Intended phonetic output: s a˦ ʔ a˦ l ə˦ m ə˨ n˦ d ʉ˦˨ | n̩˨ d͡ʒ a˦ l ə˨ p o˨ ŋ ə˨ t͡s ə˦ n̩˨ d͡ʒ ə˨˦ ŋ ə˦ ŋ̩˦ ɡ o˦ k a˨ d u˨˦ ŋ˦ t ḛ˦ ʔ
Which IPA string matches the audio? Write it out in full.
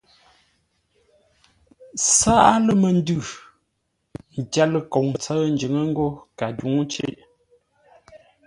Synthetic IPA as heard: s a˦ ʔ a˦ l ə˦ m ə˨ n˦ d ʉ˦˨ | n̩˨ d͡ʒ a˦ l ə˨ k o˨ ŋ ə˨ t͡s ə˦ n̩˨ d͡ʒ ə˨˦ ŋ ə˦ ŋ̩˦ ɡ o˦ k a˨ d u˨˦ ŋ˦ t͡ʃ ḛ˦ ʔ